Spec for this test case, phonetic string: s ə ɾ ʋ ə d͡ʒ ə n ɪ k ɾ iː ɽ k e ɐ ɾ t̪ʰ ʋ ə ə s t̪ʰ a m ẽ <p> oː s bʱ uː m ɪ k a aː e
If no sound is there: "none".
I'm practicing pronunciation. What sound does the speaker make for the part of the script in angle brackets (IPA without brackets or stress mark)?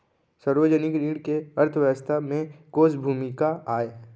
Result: k